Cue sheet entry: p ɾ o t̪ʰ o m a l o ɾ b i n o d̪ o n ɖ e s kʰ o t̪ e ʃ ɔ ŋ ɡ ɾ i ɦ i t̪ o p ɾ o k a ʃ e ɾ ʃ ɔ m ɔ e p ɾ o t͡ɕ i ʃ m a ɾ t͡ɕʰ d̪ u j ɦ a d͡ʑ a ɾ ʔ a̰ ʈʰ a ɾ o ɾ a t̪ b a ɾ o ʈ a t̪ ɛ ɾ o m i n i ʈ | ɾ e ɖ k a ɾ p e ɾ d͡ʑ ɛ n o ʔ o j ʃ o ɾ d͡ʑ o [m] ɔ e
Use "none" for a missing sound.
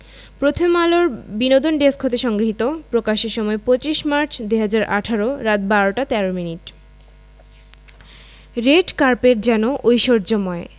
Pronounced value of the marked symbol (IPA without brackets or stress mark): m